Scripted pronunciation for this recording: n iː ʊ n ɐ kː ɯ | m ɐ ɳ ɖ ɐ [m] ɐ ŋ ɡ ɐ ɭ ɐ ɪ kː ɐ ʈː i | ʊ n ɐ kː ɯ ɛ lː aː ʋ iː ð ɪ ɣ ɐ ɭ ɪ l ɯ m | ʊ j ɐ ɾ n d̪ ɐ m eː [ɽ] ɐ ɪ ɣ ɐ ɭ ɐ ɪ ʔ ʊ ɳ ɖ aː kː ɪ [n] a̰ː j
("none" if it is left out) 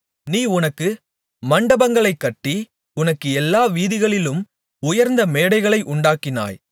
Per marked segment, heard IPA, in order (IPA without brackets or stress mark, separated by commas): b, ɽ, n